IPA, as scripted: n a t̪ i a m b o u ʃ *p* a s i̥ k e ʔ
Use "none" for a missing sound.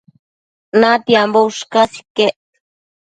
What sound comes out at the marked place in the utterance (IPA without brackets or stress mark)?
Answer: k